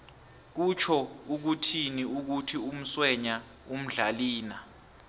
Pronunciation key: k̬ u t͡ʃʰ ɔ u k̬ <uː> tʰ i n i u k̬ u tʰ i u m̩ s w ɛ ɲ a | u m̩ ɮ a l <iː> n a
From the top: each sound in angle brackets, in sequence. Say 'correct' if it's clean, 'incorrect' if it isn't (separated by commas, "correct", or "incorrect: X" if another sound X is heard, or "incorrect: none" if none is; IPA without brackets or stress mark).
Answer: incorrect: u, correct